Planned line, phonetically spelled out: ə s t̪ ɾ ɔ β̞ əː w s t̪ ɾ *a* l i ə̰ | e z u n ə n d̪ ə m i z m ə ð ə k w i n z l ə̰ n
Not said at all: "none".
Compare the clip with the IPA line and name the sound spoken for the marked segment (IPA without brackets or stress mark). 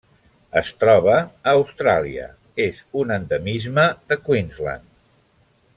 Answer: a